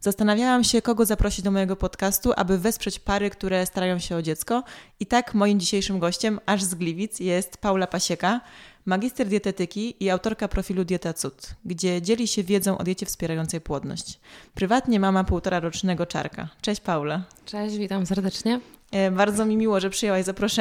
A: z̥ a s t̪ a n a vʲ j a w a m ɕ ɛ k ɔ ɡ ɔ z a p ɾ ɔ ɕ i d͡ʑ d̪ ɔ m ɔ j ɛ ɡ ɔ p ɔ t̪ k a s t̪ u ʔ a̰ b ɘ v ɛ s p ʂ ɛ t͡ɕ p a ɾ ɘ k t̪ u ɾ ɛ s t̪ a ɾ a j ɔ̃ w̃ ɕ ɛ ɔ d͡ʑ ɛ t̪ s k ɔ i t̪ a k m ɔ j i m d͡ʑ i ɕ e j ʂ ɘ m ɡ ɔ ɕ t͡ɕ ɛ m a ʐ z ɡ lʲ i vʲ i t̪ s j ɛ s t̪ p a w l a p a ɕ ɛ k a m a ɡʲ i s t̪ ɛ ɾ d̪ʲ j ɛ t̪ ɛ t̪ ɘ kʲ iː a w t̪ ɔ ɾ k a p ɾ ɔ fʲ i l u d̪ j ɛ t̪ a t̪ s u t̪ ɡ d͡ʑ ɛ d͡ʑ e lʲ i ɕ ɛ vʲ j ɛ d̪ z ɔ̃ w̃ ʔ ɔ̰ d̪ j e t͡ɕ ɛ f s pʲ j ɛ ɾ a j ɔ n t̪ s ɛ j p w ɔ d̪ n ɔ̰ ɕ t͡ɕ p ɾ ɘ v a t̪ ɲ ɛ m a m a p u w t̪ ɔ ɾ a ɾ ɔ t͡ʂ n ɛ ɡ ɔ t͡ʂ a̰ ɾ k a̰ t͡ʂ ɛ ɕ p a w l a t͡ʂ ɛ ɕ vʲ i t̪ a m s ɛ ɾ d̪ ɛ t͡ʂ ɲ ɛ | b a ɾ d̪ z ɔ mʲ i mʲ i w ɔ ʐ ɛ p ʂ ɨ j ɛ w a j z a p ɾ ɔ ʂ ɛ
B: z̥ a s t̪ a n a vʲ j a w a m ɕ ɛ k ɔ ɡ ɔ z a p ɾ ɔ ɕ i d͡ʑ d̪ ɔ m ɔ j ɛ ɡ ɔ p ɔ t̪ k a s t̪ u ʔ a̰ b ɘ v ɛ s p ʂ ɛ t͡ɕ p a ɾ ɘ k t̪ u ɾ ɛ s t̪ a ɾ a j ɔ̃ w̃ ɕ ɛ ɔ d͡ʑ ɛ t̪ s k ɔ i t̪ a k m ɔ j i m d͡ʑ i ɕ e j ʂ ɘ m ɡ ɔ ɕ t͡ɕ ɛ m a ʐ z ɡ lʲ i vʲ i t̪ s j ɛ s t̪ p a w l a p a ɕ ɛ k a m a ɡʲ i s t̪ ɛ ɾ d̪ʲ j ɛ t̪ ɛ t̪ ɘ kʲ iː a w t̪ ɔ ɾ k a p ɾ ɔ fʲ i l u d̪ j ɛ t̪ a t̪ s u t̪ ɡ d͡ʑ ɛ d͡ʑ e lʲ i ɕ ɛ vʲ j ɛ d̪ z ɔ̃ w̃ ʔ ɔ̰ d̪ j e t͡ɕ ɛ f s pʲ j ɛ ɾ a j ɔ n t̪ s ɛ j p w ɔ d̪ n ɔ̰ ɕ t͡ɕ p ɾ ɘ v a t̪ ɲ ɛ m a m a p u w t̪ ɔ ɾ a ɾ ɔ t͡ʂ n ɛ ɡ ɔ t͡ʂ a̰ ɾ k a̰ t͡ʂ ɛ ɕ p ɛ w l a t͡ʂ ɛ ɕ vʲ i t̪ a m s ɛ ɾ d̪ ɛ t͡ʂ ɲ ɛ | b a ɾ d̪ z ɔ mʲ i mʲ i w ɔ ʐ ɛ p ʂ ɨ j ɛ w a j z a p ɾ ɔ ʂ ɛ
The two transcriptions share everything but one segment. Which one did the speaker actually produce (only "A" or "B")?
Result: A